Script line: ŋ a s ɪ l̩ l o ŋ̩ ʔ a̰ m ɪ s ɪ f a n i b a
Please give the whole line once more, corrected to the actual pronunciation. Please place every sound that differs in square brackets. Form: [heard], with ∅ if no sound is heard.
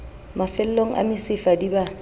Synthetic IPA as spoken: [m] a [f] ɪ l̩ l o ŋ̩ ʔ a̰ m ɪ s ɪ f a [d] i b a